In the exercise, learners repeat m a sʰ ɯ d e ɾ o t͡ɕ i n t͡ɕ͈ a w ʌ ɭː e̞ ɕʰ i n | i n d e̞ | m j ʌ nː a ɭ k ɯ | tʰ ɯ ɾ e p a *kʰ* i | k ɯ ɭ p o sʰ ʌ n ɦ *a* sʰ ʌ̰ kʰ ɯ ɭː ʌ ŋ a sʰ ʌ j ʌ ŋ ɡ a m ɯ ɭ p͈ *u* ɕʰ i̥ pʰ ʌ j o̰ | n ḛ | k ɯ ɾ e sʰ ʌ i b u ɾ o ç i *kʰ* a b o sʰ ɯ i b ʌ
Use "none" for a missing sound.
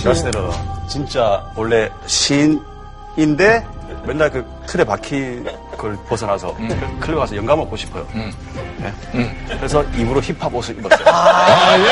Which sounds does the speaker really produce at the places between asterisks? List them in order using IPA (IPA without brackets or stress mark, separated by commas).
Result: kʰ, a, o, pʰ